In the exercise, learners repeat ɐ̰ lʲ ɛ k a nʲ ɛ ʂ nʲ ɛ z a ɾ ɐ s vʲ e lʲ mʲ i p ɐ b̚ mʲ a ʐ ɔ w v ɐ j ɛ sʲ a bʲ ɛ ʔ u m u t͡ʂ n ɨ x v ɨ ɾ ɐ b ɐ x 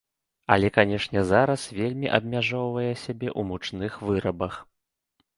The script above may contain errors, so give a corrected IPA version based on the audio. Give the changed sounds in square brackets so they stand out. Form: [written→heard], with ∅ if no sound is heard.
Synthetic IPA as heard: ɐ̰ lʲ ɛ k a nʲ ɛ ʂ nʲ ɛ z a ɾ ɐ s vʲ e lʲ mʲ i [p→ʔ] ɐ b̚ mʲ a ʐ ɔ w v ɐ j ɛ sʲ a bʲ ɛ ʔ u m u t͡ʂ n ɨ x v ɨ ɾ ɐ b ɐ x